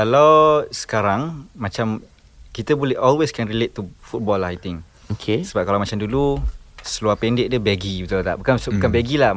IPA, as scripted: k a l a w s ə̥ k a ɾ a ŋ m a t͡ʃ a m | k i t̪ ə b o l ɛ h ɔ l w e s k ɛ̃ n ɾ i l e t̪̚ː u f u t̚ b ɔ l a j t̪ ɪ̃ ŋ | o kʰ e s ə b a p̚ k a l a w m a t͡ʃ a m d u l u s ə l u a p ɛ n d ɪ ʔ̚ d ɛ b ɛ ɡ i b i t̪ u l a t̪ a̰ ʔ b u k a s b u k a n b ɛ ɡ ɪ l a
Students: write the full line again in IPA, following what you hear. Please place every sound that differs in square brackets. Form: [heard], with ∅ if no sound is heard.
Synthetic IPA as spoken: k a l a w s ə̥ k a ɾ a ŋ m a t͡ʃ a m | k i t̪ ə b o l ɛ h ɔ l w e s k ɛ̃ n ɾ i l e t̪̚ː u f u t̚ b ɔ l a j t̪ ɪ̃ ŋ | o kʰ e s ə b a p̚ k a l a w m a t͡ʃ a m d u l u s ə l u a p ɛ n d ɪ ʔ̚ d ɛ b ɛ ɡ i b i t̪ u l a t̪ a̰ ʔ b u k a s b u k a n b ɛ ɡ [i] l a